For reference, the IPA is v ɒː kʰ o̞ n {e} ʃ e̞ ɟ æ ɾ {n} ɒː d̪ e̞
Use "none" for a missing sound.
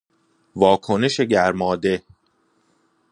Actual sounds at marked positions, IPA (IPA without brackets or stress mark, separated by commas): e, m